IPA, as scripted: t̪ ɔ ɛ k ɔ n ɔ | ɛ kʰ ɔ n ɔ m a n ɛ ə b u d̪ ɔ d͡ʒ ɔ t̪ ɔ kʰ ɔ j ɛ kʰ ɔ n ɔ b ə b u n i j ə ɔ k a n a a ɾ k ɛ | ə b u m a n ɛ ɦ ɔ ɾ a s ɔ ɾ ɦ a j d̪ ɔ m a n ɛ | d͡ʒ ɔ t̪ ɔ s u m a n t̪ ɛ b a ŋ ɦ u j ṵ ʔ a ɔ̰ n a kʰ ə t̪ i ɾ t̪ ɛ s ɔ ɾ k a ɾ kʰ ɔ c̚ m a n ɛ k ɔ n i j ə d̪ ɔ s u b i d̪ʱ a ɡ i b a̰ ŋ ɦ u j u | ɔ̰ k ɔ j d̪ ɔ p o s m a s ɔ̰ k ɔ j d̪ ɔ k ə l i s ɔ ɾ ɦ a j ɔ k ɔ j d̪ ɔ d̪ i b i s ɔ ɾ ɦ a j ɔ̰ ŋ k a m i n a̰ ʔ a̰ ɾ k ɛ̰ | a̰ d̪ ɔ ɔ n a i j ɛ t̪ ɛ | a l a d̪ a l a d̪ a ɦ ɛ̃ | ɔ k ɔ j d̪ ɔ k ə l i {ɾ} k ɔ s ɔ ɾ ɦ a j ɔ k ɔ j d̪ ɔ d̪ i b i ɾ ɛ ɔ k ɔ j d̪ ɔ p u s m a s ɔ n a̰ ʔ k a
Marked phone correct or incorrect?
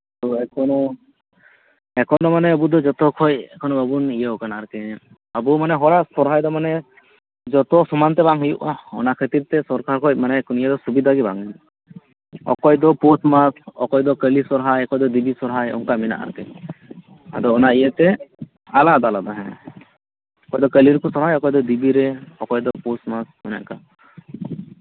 correct